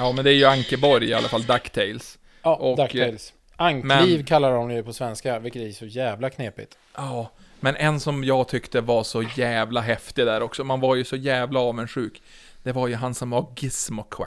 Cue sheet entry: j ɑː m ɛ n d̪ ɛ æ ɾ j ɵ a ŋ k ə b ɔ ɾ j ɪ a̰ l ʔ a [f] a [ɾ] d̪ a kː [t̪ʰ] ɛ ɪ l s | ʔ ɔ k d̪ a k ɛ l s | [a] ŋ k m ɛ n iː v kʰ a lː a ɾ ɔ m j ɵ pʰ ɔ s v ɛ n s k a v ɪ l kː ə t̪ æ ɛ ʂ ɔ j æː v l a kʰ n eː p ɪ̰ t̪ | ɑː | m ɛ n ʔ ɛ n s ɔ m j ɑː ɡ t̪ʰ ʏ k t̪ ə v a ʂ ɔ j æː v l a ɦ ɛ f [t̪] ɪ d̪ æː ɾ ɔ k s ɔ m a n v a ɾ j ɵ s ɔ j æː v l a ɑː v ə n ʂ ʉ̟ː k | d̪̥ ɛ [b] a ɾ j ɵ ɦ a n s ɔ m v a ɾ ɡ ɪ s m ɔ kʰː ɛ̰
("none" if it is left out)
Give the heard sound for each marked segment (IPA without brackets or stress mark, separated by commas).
f, l, t̪ʰ, a, t̪, v